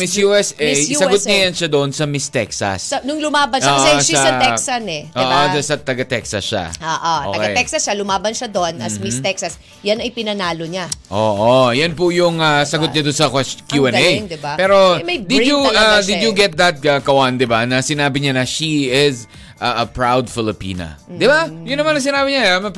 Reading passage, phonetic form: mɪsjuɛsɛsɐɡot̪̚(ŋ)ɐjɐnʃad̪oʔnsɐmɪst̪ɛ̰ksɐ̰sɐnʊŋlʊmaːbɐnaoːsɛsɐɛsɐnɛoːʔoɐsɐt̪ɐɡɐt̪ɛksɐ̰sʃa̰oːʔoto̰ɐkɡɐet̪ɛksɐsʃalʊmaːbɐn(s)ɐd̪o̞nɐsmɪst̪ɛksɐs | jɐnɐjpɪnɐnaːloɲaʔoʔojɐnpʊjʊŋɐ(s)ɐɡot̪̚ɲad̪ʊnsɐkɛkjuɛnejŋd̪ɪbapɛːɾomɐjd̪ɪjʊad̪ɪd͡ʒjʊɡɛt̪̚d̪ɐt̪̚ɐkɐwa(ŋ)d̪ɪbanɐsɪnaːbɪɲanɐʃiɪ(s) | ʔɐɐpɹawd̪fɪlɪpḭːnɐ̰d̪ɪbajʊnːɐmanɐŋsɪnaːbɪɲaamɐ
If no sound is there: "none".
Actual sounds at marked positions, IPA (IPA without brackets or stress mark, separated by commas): ɲ, ʃ, s, n, z